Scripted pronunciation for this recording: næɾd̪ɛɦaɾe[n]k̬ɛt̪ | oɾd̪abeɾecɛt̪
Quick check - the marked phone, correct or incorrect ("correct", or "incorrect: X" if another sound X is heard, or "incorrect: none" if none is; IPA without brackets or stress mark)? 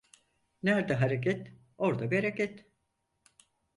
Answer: incorrect: none